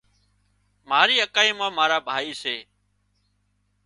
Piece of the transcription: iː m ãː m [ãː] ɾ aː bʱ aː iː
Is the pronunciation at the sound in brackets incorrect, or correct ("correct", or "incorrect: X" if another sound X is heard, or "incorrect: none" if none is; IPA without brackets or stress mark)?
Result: incorrect: aː